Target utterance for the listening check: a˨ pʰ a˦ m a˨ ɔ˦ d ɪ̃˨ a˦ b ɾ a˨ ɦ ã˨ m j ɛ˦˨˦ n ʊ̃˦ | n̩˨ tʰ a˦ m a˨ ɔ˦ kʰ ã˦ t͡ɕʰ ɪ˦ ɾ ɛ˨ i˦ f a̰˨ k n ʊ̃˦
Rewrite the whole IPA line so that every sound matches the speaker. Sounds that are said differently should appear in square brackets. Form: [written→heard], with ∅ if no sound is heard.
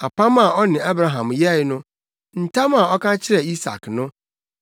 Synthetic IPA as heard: a˨ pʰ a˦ m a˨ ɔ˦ [d→n] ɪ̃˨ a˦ b ɾ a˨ ɦ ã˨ m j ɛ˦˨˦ n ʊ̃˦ | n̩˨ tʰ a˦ m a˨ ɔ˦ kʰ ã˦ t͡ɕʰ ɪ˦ ɾ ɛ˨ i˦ [f→s] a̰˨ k n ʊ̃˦